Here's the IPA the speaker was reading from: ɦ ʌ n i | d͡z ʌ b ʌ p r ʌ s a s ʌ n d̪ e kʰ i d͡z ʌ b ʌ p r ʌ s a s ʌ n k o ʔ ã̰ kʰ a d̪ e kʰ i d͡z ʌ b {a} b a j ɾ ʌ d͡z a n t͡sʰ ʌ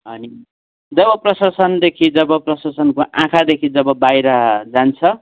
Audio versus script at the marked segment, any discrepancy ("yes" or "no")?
yes